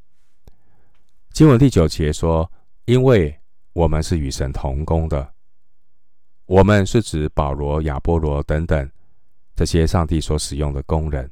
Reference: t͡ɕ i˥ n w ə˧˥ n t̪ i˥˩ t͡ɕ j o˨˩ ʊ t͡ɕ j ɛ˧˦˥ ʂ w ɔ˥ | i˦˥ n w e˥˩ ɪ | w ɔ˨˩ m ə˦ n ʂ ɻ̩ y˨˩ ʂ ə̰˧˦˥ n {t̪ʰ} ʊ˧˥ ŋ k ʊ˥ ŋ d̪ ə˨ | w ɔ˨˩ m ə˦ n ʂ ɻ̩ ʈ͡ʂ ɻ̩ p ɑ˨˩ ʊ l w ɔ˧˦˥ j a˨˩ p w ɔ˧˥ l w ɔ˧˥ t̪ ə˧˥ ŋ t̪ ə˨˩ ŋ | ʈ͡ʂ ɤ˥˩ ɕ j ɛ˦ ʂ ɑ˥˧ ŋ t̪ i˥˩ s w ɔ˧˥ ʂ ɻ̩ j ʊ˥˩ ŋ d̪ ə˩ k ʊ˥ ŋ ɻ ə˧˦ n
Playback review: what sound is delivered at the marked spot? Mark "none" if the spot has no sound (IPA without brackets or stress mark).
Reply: t̪ʰ